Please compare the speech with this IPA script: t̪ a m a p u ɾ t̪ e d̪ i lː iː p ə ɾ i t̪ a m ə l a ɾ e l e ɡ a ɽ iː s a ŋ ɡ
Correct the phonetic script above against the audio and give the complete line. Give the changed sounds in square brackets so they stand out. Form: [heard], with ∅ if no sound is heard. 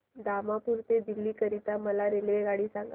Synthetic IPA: [d̪] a m a p u ɾ t̪ e d̪ i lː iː [k] ə ɾ i t̪ a m ə l a ɾ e l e ɡ a ɽ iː s a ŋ ɡ